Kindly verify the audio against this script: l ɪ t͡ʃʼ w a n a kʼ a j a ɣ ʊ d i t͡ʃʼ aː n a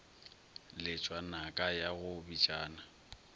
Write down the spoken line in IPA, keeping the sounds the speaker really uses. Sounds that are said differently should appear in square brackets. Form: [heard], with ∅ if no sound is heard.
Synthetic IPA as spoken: l ɪ t͡ʃʼ w a n a kʼ a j a ɣ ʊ [b] i t͡ʃʼ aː n a